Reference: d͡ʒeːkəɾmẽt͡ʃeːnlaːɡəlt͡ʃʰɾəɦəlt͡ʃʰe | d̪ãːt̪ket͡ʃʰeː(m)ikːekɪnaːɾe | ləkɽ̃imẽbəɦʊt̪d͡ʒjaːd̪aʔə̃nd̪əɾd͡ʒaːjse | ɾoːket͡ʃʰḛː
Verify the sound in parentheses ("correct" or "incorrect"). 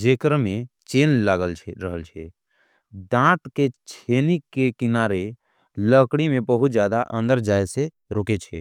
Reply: incorrect